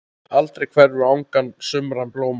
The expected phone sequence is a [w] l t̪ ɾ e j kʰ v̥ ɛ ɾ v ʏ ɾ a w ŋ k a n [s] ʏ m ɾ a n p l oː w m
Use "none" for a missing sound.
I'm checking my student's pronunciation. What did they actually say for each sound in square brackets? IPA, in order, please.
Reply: none, s

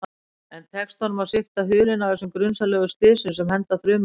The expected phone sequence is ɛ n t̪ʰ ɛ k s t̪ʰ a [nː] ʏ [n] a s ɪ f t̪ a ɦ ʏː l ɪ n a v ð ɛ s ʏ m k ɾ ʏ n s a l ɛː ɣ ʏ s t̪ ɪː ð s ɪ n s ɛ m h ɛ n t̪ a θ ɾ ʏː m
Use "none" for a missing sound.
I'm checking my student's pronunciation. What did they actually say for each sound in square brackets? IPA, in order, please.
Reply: n, m

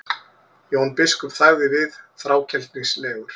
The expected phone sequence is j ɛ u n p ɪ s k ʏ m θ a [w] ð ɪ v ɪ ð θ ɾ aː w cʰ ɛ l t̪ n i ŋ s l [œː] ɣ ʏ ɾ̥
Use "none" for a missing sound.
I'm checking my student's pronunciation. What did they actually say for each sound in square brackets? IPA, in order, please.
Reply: ɣ, ɛː

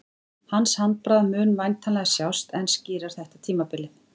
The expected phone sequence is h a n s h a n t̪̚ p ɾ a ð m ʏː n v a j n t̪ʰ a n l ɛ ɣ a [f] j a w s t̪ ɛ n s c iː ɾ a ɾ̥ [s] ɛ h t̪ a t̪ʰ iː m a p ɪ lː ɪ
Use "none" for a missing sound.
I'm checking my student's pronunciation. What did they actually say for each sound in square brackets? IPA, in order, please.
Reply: s, θ

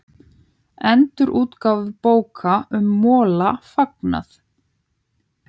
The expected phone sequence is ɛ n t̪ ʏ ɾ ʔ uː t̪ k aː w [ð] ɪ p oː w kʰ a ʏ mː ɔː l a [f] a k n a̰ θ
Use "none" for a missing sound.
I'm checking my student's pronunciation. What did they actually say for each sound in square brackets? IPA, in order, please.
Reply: v, f

